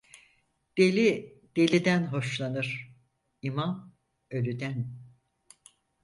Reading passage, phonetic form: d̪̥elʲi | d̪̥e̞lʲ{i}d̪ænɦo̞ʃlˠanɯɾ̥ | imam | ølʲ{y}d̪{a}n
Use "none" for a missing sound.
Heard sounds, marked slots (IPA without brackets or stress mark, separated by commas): i, y, æ